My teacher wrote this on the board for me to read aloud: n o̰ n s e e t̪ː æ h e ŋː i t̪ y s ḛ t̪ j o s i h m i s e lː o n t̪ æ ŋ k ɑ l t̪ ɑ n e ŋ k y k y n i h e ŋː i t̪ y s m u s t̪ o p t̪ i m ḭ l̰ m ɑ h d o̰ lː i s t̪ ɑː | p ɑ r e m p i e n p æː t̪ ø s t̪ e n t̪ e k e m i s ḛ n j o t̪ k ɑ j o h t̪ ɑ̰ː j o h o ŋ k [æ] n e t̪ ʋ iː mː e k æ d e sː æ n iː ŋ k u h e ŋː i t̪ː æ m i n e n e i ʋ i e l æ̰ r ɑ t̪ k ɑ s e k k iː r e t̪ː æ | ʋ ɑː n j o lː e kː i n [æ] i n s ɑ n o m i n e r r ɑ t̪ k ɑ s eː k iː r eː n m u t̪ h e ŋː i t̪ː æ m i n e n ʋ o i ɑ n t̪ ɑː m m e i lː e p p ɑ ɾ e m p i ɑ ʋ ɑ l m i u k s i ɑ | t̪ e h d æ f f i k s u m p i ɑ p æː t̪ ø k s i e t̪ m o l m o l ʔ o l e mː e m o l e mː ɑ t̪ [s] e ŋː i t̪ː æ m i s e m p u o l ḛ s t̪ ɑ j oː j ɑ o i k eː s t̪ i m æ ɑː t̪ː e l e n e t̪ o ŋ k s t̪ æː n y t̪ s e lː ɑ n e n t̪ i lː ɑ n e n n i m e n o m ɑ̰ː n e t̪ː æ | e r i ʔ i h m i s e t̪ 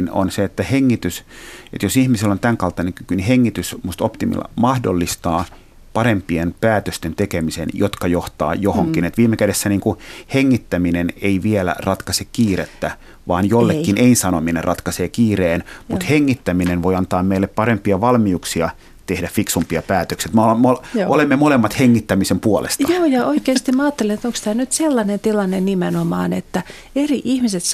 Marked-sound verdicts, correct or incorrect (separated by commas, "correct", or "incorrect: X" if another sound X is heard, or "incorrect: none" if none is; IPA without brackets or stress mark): incorrect: i, incorrect: e, incorrect: h